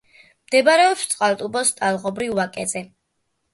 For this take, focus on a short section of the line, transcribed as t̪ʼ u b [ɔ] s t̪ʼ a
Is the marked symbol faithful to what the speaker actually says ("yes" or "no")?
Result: yes